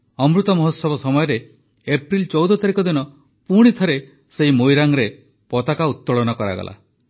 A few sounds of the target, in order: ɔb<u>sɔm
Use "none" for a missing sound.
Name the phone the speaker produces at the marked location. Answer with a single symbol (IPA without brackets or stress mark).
ɔ